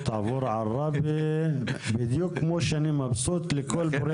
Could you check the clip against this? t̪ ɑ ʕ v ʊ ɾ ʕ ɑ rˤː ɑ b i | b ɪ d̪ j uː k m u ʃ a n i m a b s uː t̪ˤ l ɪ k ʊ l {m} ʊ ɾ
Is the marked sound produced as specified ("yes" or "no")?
no